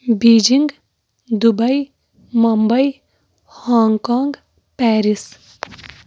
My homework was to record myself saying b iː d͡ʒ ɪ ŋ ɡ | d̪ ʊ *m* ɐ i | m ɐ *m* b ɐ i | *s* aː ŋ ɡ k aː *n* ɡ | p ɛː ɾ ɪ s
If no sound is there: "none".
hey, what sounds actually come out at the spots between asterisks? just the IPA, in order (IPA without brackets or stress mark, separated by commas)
b, m, h, ŋ